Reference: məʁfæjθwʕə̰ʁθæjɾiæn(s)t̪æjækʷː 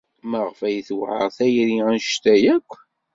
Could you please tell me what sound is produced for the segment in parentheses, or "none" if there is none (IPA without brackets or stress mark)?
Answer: ʃ